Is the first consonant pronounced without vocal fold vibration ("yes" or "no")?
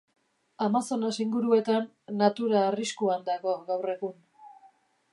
no